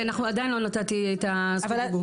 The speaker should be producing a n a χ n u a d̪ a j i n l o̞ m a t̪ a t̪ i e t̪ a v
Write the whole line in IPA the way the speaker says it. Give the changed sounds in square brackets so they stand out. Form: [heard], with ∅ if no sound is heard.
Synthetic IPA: a n a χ n u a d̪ a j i n l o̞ [n] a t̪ a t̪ i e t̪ a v

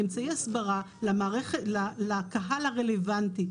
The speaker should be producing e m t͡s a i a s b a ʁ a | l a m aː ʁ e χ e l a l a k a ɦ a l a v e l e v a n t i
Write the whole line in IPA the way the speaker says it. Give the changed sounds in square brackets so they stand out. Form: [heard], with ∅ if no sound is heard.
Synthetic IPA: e m t͡s a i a s b a ʁ a | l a m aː ʁ e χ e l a l a k a ɦ a l a [ʁ] e l e v a n t i

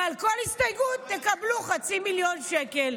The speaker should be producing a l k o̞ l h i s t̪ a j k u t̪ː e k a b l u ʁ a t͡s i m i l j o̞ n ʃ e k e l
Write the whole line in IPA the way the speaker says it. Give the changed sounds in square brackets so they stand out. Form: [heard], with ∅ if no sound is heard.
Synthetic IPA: a l k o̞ l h i s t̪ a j [ɡ] u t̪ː e k a b l u [χ] a t͡s i m i l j o̞ n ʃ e k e l

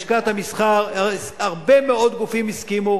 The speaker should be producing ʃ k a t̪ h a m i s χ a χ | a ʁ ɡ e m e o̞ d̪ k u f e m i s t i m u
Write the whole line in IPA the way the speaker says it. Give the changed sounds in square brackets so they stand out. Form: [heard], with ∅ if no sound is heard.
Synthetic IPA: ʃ k a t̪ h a m i s χ a [ʁ] | a ʁ [b] e m e o̞ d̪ [ɡ] u f [i] m i s [k] i m u

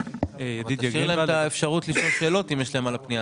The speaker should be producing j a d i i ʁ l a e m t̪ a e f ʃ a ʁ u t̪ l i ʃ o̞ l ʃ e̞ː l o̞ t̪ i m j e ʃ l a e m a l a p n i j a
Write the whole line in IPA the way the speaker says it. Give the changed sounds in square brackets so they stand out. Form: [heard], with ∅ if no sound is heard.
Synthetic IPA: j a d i i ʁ l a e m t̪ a e f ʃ a ʁ u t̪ l i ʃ o̞ l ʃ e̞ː l o̞ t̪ i m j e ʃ l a e m a l a p n i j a

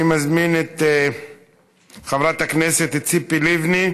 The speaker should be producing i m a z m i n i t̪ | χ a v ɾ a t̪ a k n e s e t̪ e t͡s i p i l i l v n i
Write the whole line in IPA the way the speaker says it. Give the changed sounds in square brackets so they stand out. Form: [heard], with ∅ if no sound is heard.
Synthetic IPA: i m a z m i n [e] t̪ | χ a v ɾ a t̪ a k n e s e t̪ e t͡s i p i l i [∅] v n i

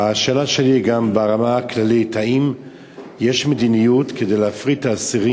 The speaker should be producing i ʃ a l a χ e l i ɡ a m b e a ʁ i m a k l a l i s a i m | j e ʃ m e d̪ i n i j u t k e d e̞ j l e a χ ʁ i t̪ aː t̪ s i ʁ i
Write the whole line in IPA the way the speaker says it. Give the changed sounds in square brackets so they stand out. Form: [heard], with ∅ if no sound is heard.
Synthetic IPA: [a] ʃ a l a [ʃ] e l i ɡ a m b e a ʁ [a] m a k l a l i [t] a i m | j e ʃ m e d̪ i n i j u t k e d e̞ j l e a [f] ʁ i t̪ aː [∅] s i ʁ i

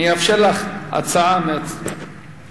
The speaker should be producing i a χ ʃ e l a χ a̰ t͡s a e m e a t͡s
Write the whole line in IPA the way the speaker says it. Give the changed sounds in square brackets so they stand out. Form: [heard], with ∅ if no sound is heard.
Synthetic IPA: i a [f] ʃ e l a χ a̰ t͡s a [a] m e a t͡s

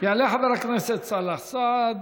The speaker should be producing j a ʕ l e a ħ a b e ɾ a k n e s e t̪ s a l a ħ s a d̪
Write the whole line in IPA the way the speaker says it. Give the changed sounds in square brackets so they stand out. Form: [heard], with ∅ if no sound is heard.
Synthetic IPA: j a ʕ l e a ħ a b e ɾ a k n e s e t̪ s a l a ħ s a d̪

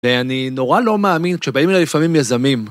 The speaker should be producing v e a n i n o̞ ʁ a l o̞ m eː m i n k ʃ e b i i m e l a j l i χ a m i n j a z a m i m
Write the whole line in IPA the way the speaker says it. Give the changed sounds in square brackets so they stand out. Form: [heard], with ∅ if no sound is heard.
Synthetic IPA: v e a n i n o̞ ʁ a l o̞ m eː m i n k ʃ e b [a] i m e l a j l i [f] a m i [m] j a z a m i m

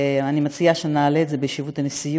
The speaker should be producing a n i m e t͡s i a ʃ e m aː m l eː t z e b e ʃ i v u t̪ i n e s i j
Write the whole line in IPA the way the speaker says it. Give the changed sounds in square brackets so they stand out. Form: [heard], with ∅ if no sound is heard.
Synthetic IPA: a n i m [a] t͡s i a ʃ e [n] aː [∅] l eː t z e b e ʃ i v u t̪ [a] n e s i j

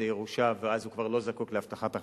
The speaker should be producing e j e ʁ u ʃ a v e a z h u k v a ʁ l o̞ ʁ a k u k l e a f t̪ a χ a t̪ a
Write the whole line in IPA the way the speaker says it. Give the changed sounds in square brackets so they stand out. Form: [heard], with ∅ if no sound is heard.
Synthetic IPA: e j e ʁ u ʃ a v e a z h u k v a ʁ l o̞ [z] a k u k l e a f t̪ a χ a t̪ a

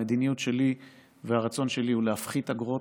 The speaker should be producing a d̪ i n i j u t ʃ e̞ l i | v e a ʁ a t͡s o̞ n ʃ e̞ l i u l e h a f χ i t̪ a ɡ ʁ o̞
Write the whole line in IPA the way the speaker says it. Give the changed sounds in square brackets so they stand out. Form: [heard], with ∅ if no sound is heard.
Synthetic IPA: [e] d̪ i n i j u t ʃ e̞ l i | v e a ʁ a t͡s o̞ n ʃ e̞ l i u l e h a f χ i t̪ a ɡ ʁ o̞

